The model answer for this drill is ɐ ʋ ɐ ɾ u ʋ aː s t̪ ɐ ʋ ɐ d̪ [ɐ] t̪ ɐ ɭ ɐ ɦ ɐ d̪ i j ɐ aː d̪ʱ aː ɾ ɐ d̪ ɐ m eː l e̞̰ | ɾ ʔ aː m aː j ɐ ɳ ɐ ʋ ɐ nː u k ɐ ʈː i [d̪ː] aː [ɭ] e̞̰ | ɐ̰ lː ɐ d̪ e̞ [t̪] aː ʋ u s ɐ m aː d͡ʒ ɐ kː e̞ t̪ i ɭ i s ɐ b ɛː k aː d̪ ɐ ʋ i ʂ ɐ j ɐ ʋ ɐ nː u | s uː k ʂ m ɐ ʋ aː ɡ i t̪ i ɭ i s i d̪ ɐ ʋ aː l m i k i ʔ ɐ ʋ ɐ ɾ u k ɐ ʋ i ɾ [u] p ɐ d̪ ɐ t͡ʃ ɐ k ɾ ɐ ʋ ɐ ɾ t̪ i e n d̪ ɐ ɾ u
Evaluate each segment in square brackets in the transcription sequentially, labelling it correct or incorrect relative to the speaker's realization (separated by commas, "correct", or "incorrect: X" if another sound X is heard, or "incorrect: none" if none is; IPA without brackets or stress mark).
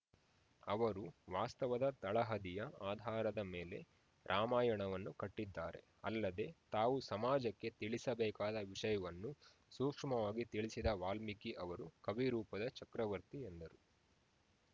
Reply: correct, correct, incorrect: ɾ, correct, incorrect: uː